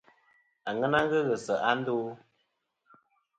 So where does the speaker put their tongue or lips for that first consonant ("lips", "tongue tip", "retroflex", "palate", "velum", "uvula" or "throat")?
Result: velum